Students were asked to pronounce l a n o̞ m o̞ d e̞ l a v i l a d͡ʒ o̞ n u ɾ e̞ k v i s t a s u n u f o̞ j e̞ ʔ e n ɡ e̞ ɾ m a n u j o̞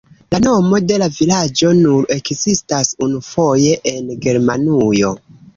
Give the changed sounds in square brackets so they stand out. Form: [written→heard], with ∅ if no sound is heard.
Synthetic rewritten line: l a n o̞ m o̞ d e̞ l a v i l a d͡ʒ o̞ n u ɾ e̞ k [v→z] i s t a s u n u f o̞ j e̞ ʔ e n ɡ e̞ ɾ m a n u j o̞